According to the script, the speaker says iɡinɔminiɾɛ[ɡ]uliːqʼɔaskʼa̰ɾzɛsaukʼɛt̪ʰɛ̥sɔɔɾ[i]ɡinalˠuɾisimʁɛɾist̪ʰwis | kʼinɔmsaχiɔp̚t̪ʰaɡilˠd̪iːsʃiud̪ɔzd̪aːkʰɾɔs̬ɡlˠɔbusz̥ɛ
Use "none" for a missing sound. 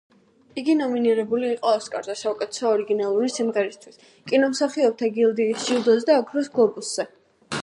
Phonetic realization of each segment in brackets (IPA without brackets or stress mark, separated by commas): b, i